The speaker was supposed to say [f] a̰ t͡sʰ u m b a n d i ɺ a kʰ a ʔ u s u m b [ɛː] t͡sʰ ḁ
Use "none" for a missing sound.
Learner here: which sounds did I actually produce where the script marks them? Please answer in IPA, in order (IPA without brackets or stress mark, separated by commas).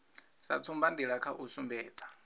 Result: s, ɛː